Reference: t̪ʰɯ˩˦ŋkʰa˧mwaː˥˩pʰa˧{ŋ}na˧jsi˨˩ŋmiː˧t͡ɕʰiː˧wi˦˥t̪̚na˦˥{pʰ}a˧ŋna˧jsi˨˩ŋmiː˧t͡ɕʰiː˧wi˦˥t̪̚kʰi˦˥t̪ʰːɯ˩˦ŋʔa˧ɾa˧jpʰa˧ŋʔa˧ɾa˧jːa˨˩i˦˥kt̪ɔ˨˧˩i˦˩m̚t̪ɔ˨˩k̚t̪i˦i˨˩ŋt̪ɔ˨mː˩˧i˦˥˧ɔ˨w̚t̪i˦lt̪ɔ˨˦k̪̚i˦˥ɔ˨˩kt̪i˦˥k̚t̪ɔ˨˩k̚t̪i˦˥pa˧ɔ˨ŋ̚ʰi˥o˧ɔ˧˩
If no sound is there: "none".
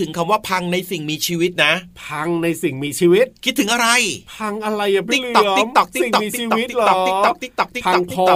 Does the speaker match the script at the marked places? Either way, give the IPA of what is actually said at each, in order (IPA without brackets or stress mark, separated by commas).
ŋ, pʰ